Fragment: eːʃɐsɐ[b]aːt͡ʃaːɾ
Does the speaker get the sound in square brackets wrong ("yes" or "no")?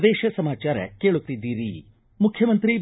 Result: yes